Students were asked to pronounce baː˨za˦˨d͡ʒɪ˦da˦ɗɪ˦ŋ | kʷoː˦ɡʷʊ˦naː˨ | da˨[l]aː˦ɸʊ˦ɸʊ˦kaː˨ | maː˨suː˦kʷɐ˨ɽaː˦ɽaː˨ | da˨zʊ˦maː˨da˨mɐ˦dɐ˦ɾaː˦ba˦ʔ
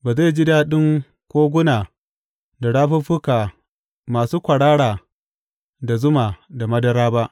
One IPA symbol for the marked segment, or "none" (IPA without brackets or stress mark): ɽ